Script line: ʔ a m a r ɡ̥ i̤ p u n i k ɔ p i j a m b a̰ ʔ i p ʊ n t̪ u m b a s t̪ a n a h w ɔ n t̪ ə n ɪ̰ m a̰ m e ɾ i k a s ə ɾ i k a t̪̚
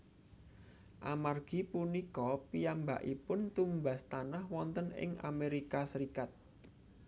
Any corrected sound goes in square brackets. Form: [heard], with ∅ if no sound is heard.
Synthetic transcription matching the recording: ʔ a m a r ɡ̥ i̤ p u n i k ɔ p i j a m b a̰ ʔ i p ʊ n t̪ u m b a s t̪ a n a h w ɔ n t̪ ə n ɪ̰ [ŋ] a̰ m e ɾ i k a s ə ɾ i k a t̪̚